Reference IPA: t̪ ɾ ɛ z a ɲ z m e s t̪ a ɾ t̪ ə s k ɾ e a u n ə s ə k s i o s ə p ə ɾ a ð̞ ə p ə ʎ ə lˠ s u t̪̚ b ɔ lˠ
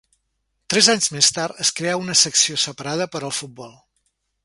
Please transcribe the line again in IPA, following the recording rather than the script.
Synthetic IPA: t̪ ɾ ɛ z a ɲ z m e s t̪ a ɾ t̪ ə s k ɾ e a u n ə s ə k s i o s ə p ə ɾ a ð̞ ə p ə ɾ ə lˠ f u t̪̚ b ɔ lˠ